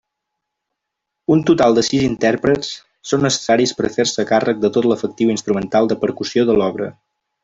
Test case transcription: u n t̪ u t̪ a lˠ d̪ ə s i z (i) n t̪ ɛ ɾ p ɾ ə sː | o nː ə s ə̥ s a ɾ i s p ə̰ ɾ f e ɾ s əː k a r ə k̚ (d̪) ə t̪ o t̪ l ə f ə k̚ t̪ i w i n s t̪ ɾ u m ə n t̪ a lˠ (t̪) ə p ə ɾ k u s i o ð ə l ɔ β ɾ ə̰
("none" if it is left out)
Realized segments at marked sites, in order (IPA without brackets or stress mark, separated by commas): i, d̪, d̪